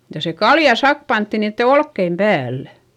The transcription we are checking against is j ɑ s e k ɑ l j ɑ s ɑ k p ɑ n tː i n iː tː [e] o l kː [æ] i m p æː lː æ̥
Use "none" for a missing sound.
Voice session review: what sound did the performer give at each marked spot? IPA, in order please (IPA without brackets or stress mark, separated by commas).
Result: e, e